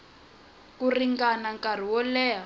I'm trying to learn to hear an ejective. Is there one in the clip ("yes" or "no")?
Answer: no